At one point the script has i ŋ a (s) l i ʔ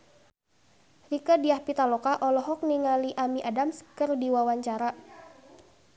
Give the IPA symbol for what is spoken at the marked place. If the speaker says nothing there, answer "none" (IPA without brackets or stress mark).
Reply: none